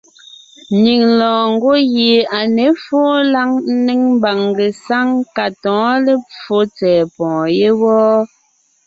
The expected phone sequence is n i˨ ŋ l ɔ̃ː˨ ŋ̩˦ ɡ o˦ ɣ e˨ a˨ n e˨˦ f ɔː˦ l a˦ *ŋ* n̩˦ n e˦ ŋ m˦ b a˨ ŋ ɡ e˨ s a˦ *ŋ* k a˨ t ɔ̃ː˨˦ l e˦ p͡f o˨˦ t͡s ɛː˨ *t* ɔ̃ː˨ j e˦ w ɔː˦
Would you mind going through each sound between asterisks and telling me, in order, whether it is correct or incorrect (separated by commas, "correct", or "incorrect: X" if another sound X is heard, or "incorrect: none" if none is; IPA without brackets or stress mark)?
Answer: correct, correct, incorrect: p